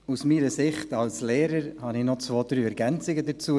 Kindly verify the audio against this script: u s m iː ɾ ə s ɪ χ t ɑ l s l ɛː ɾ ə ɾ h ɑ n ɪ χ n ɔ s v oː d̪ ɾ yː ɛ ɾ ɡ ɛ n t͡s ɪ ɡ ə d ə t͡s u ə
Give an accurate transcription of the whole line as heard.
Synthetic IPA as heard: u s m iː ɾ ə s ɪ χ t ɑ l s l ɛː ɾ ə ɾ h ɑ n ɪ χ n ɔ t͡s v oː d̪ ɾ yː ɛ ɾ ɡ ɛ n t͡s ɪ ɡ ə d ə t͡s u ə